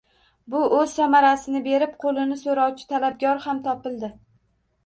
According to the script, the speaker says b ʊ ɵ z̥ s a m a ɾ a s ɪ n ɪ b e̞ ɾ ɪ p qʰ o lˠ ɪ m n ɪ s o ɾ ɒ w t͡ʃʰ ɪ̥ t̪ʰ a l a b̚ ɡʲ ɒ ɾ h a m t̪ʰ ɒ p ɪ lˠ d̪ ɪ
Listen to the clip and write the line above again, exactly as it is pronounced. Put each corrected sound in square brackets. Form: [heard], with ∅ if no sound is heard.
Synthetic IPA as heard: b ʊ ɵ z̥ s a m a ɾ a s ɪ n ɪ b e̞ ɾ ɪ p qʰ o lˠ ɪ [∅] n ɪ s o ɾ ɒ w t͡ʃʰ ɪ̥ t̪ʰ a l a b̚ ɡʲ ɒ ɾ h a m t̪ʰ ɒ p ɪ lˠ d̪ ɪ